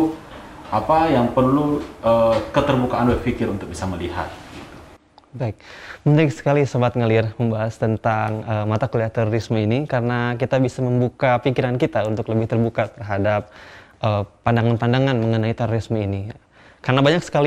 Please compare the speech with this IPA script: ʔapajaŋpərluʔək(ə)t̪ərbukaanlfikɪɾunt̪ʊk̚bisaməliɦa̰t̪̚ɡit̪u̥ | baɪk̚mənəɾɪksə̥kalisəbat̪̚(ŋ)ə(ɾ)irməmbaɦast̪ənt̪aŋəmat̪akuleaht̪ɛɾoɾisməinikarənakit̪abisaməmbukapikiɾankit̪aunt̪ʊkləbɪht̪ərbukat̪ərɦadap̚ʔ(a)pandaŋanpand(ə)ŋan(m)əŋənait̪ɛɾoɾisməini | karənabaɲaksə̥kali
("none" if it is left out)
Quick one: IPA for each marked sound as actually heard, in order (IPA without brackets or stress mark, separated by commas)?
ə, ŋ, l, ə, a, m